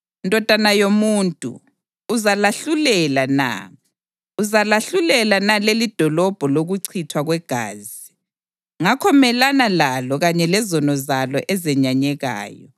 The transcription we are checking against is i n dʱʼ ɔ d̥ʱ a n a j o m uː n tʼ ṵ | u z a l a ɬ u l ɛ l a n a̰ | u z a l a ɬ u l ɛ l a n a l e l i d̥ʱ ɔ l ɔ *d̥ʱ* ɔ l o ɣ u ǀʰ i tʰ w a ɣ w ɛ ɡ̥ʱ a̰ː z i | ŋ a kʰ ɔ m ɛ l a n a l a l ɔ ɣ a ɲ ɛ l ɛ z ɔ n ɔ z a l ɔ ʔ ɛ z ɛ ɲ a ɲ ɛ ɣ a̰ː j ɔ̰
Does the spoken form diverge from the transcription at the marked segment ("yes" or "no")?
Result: yes